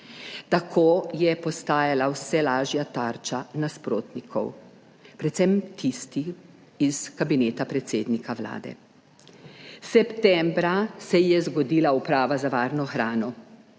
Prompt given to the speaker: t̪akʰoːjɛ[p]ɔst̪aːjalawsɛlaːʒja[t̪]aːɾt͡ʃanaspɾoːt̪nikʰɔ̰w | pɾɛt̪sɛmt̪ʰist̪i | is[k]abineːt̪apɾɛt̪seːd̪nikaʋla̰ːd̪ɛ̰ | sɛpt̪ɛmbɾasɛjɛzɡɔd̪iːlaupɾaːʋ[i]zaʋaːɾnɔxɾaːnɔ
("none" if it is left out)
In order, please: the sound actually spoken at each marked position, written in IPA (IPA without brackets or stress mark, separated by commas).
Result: p, t̪, k, a